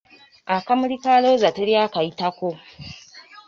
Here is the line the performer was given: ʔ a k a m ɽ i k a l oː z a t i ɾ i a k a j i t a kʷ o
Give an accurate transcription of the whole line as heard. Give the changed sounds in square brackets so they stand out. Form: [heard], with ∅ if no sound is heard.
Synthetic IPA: ʔ a k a m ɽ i k a l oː z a t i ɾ [j] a k a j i t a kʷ o